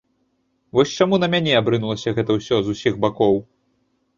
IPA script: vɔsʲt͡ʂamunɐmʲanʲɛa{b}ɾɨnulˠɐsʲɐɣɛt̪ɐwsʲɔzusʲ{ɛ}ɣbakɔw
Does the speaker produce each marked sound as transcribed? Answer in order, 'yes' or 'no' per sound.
yes, no

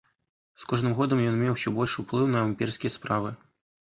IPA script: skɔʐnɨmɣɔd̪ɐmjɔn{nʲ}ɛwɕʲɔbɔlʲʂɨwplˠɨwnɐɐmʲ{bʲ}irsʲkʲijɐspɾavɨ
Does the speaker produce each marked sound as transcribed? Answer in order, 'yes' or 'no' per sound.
no, no

